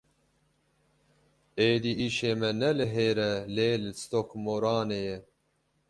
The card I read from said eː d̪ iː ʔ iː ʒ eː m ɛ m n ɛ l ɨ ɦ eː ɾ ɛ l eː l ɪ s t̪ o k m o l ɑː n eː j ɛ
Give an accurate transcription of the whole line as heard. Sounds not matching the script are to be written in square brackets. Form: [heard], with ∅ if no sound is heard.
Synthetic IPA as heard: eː d̪ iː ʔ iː [ʃ] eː m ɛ [∅] n ɛ l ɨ ɦ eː ɾ ɛ l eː l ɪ s t̪ o k m o [ɾ] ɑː n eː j ɛ